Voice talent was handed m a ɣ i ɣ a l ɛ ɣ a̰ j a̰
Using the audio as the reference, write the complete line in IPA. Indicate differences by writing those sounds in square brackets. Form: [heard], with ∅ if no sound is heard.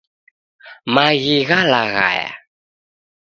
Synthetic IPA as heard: m a ɣ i ɣ a l [a] ɣ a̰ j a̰